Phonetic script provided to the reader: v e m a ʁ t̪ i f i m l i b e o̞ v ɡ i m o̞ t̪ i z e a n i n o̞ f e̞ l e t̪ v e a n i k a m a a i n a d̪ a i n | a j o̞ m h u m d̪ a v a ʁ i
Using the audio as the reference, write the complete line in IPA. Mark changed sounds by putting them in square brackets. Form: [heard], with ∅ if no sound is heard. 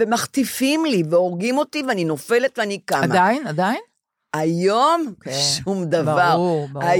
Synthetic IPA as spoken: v e m a [χ] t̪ i f i m l i [v] e o̞ [ʁ] ɡ i m o̞ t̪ i [v] e a n i n o̞ f e̞ l e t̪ v e a n i k a m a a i n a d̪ a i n | a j o̞ m [ʃ] u m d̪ a v a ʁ [a]